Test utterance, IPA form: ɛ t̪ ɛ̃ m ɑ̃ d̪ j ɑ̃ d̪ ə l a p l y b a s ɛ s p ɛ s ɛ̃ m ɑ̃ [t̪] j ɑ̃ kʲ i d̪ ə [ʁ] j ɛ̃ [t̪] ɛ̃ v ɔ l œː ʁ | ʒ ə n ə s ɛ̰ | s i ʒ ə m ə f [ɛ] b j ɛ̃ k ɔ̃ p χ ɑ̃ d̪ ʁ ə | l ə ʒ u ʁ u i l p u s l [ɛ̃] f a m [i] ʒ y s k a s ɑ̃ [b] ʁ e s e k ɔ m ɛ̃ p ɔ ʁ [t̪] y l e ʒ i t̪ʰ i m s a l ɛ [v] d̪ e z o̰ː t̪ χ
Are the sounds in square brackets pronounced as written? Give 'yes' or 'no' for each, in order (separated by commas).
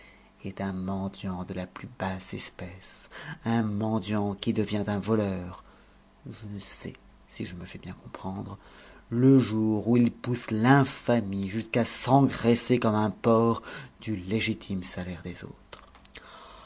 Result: no, no, yes, yes, yes, yes, no, no, no